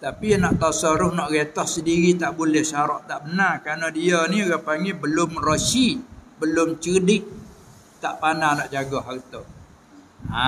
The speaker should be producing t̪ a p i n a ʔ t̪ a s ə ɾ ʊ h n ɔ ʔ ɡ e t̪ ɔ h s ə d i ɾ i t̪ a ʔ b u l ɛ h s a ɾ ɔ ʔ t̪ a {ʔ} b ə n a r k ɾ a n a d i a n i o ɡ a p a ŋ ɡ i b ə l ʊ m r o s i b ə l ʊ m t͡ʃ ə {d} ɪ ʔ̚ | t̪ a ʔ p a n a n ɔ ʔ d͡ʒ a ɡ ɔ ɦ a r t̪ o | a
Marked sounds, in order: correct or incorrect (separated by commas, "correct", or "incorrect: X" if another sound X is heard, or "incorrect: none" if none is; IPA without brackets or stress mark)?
correct, correct